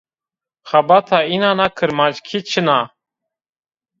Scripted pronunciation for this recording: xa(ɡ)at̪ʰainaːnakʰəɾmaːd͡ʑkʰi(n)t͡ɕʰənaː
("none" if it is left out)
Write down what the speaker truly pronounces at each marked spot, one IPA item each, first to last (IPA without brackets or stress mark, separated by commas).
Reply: b, none